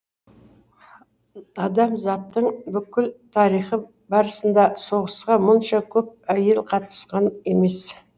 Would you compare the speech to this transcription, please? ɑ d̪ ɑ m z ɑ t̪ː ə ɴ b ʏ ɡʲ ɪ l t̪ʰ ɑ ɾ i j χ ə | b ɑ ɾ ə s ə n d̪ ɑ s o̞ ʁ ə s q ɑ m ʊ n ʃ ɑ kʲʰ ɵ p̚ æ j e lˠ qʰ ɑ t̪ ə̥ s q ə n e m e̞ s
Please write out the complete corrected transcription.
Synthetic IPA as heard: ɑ d̪ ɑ m z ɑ t̪ː ə ɴ b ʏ kʲ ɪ l t̪ʰ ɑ ɾ i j χ ə | b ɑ ɾ ə s ə n d̪ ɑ s o̞ ʁ ə s q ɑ m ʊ n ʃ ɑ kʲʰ ɵ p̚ æ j e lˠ qʰ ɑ t̪ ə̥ s q ɑ n e m e̞ s

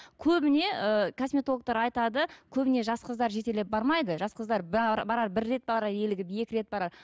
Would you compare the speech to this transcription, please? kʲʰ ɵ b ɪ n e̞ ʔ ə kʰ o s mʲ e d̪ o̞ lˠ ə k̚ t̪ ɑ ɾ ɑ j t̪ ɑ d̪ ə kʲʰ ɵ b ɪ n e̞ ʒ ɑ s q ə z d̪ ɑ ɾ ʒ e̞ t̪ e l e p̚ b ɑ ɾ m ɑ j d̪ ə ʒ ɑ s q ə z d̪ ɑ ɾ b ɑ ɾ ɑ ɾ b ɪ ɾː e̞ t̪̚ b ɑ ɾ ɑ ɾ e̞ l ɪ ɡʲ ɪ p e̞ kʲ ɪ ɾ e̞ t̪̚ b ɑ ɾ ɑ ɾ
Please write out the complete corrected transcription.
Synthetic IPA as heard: kʲʰ ɵ b ɪ n e̞ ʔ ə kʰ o s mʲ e t̪ o̞ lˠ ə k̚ t̪ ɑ ɾ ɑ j t̪ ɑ d̪ ə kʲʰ ɵ b ɪ n e̞ ʒ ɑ s q ə z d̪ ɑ ɾ ʒ e̞ t̪ e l e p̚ b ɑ ɾ m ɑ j d̪ ə ʒ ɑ s q ə z d̪ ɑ ɾ b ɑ ɾ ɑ ɾ b ɪ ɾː e̞ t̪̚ b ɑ ɾ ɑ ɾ e̞ l ɪ ɡʲ ɪ p e̞ kʲ ɪ ɾ e̞ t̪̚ b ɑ ɾ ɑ ɾ

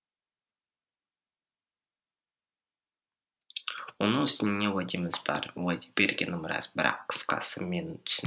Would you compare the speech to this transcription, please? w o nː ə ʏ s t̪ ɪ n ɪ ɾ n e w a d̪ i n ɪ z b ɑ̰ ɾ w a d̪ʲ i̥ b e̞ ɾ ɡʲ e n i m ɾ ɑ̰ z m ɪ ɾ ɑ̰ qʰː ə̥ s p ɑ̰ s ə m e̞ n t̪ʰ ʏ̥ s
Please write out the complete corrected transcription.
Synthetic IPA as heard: w o n ə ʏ s t̪ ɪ n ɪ n e w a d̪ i m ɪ z b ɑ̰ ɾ w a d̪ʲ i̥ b e̞ ɾ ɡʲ e n ɪ m ɾ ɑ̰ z b ɪ ɾ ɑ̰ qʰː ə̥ s q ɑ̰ s ə m e̞ n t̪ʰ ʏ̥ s

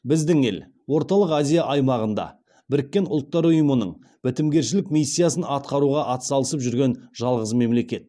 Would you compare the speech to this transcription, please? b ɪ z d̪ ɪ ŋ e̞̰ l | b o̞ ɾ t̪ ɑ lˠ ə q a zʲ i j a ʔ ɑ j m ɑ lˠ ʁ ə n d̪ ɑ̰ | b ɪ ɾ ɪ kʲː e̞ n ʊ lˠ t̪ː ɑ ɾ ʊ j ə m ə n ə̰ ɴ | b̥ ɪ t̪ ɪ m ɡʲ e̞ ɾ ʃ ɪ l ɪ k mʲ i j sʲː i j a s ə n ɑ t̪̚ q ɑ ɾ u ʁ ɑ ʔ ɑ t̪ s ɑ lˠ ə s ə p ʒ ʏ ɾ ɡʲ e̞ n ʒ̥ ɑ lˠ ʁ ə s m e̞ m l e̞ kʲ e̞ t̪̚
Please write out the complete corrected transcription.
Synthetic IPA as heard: b ɪ z d̪ ɪ ŋ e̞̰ l | w o̞ ɾ t̪ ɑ lˠ ə q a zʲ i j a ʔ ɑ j m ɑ ʁ ə n d̪ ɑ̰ | b ɪ ɾ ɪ kʲː e̞ n ʊ lˠ t̪ː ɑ ɾ ʊ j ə m ə n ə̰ ɴ | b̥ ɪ t̪ ɪ m ɡʲ e̞ ɾ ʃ ɪ l ɪ k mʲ i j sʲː i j a s ə n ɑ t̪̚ q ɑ ɾ u ʁ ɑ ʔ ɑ t̪ s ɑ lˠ ə s ə p ʒ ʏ ɾ ɡʲ e̞ n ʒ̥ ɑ lˠ ʁ ə z m e̞ m l e̞ kʲ e̞ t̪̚

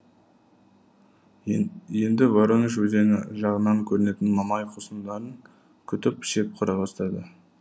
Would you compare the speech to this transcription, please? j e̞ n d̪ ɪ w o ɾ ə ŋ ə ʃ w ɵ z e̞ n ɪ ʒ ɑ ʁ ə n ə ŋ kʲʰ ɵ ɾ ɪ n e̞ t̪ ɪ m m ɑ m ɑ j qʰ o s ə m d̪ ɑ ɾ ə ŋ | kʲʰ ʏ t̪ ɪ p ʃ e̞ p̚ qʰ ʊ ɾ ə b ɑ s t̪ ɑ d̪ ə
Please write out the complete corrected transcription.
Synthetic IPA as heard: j e̞ n d̪ ɪ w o ɾ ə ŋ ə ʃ w ɵ z e̞ n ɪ ʒ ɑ ʁ ə n ɑ ŋ kʲʰ ɵ ɾ ɪ n e̞ t̪ ɪ n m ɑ m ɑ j qʰ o s ə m d̪ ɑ ɾ ə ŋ | kʲʰ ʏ t̪ ɪ p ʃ e̞ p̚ qʰ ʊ ɾ ɑ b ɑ s t̪ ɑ d̪ ə

